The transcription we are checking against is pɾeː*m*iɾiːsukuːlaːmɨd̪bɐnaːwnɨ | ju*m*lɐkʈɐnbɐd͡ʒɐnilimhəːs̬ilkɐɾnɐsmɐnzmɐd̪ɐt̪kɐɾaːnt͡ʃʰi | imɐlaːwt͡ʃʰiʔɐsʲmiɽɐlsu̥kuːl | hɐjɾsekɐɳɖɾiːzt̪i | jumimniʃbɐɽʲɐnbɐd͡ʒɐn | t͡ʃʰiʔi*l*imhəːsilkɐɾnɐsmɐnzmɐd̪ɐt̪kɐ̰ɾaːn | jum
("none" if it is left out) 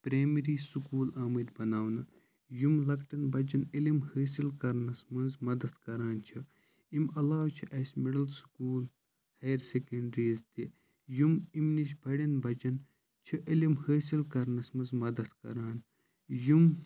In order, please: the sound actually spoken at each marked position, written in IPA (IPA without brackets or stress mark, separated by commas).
m, m, l